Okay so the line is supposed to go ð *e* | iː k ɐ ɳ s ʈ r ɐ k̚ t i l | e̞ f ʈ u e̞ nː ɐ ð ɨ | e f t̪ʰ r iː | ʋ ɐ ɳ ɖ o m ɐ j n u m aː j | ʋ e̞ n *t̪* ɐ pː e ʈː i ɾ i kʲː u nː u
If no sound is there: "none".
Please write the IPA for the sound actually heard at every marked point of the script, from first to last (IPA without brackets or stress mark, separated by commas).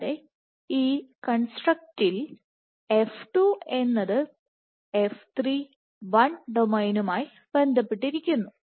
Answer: e, d̪